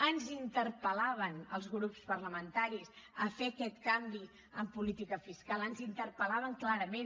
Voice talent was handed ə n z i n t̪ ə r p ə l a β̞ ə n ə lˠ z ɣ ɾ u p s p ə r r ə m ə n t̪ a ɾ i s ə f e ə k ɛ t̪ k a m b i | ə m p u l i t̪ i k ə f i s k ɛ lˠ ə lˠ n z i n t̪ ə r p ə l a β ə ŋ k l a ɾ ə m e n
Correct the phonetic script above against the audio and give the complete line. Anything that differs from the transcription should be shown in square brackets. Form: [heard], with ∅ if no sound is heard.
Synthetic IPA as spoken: ə n z i n t̪ ə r p ə l a β̞ ə n ə lˠ z ɣ ɾ u p s p ə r [l] ə m ə n t̪ a ɾ i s ə f e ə k ɛ t̪ k a m b i | ə m p u l i t̪ i k ə f i s k [a] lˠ ə [∅] n z i n t̪ ə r p ə l a β ə ŋ k l a ɾ ə m e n